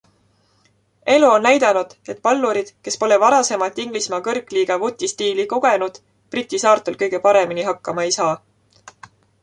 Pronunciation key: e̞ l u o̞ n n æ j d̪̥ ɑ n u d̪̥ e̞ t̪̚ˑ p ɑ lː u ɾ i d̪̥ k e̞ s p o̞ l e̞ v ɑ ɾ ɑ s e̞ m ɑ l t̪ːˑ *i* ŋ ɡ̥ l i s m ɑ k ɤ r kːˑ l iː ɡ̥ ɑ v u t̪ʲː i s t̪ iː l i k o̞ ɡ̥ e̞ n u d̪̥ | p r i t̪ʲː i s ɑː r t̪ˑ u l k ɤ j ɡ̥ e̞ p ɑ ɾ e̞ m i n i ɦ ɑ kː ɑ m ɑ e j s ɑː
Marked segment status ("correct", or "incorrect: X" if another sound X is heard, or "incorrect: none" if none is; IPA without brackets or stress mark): correct